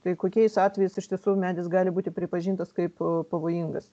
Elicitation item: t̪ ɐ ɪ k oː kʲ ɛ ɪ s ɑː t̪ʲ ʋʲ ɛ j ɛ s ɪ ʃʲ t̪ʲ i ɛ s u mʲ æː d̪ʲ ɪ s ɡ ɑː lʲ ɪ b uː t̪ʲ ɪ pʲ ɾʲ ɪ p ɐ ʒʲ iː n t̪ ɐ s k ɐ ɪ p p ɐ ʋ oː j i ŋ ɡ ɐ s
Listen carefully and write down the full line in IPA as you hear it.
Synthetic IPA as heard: t̪ ɐ ɪ k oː kʲ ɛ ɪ s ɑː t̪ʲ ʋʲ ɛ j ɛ s ɪ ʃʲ t̪ʲ i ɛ s u mʲ æː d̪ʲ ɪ s ɡ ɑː lʲ ɪ b uː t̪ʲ ɪ pʲ ɾʲ ɪ p ɐ ʒʲ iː n t̪ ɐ s k ɐ ɪ p p ɐ ʋ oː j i ŋ ɡ ɐ s